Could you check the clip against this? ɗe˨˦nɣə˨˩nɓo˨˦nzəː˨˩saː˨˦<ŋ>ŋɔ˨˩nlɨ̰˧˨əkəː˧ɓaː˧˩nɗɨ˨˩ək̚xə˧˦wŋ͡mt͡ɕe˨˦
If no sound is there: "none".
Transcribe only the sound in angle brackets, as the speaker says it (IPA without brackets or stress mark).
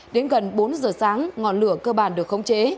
ŋ